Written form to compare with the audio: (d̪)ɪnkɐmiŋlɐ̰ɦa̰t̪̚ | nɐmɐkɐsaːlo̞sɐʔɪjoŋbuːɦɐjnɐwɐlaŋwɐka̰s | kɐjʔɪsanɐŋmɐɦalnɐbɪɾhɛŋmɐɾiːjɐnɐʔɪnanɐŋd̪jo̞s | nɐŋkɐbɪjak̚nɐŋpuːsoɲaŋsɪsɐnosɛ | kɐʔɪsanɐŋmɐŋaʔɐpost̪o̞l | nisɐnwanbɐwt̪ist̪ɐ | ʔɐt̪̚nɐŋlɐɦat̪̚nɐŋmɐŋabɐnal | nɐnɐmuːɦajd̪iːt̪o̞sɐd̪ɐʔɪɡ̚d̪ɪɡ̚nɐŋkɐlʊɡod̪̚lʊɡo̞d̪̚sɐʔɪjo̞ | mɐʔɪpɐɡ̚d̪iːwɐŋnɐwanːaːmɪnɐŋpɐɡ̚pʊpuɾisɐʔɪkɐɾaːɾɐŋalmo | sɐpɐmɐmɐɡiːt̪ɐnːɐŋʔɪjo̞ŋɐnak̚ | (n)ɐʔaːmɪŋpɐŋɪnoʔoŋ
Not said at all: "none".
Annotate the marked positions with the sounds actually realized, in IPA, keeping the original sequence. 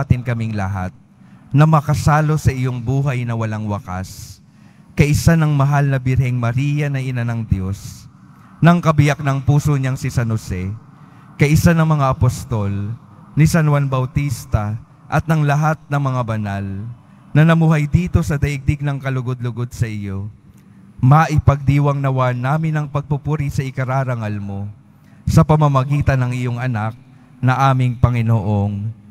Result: t̪, n

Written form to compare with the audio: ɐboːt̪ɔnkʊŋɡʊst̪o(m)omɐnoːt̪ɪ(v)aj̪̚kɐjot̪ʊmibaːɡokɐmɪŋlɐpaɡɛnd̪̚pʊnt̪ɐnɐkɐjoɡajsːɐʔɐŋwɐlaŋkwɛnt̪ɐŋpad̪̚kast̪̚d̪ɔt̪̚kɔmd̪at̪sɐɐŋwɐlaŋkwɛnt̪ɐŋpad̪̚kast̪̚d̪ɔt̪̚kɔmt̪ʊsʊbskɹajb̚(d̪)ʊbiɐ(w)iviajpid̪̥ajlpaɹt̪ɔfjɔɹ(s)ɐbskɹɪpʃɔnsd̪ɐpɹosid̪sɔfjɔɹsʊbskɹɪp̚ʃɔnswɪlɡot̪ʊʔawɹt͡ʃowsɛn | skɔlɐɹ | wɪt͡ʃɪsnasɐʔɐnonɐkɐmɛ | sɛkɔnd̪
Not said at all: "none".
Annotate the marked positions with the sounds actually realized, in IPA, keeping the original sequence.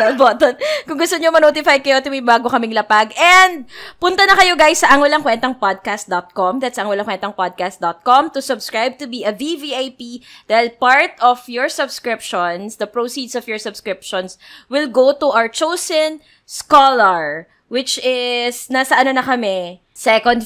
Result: ɲ, f, t̪, v, s

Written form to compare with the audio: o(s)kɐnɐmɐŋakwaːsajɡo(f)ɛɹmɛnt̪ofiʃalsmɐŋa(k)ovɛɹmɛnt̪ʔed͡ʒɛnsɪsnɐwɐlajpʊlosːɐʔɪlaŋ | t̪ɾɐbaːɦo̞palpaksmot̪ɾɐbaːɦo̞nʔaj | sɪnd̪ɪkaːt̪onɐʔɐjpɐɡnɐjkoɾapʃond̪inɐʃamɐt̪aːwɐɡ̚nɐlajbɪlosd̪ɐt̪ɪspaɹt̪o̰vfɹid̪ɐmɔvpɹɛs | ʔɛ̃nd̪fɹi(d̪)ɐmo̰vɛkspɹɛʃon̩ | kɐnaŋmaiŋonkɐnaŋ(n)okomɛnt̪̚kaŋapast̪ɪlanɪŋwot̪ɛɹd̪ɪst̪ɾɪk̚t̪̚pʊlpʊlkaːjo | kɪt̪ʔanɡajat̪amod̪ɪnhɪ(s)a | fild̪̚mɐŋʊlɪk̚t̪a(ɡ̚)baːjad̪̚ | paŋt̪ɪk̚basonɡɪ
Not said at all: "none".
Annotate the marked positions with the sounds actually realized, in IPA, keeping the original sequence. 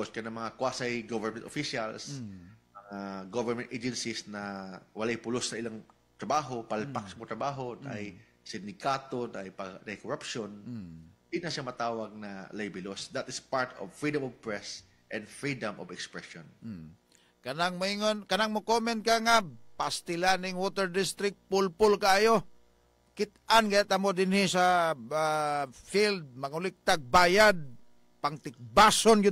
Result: s, v, ɡ, d̪, m, s, ɡ̚

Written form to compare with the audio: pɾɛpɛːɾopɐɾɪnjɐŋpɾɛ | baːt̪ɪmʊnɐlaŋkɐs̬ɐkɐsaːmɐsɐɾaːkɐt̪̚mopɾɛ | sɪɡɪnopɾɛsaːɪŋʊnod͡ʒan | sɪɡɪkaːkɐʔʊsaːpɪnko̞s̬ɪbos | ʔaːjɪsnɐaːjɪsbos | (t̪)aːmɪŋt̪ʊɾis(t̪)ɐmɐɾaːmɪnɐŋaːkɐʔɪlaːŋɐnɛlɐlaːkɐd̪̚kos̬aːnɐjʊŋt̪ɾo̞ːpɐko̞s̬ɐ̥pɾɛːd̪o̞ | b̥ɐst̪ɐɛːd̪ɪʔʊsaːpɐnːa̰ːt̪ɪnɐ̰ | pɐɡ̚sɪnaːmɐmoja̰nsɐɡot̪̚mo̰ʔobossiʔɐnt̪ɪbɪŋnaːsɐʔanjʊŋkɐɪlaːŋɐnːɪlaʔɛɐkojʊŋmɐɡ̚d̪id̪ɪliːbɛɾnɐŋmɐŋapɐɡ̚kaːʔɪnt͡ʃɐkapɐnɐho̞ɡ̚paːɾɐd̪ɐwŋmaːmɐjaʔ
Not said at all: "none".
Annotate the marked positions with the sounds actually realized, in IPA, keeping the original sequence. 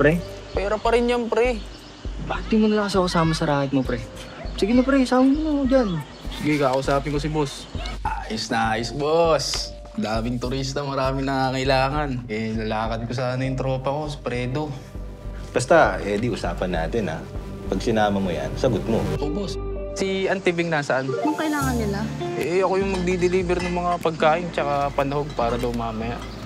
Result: d̪, t̪

